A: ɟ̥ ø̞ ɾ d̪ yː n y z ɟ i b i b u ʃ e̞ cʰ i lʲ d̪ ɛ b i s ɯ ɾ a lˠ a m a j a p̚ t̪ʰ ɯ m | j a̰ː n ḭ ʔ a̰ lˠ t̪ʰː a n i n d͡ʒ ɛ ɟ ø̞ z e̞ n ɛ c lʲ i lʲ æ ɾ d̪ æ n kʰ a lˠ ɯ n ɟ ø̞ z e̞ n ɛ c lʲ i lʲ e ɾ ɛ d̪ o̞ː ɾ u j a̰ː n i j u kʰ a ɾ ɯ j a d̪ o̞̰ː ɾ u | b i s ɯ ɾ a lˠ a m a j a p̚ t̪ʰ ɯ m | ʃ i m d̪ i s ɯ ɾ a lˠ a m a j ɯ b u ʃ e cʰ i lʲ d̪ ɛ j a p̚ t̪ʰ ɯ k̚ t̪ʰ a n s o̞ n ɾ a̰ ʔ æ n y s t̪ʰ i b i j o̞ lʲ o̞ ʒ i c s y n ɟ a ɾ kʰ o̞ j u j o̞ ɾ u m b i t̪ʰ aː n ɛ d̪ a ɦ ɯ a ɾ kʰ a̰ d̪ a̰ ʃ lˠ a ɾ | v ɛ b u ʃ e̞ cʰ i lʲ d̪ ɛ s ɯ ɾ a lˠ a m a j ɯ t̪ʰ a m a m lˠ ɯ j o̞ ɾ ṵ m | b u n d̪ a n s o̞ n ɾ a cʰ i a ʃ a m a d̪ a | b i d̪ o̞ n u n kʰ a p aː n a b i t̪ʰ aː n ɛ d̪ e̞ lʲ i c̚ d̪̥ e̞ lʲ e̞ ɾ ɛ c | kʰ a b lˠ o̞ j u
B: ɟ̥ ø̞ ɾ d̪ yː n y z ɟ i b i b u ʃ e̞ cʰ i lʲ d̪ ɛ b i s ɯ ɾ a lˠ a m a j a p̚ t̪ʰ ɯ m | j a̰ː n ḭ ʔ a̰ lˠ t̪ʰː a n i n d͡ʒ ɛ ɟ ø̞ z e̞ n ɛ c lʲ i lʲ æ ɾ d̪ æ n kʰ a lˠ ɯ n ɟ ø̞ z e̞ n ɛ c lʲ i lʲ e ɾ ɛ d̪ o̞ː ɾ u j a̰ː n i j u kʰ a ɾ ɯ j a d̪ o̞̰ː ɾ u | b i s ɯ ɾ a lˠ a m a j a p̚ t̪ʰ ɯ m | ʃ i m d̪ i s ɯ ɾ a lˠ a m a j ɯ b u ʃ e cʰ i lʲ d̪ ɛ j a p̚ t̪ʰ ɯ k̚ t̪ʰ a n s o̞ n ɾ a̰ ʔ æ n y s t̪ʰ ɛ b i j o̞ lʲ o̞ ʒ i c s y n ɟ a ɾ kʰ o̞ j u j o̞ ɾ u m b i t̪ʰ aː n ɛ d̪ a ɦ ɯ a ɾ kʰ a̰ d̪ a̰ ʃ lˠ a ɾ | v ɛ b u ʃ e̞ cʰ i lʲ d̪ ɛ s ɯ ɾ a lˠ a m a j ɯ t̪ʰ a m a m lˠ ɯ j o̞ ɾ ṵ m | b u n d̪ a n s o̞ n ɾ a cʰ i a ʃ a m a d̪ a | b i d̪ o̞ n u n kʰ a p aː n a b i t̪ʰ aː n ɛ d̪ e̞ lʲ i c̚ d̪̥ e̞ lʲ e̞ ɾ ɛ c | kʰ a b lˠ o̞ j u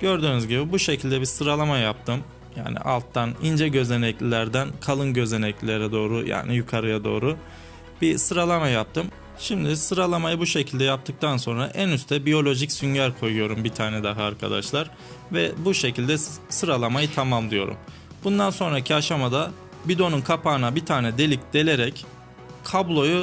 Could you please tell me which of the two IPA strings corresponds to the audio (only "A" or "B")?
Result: B